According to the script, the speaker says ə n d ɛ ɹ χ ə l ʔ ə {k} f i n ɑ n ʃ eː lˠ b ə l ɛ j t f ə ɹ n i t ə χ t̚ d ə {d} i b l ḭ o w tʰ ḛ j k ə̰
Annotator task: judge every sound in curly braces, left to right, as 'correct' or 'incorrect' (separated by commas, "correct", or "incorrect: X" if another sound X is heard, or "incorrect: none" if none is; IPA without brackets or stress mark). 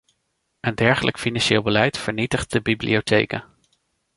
correct, incorrect: b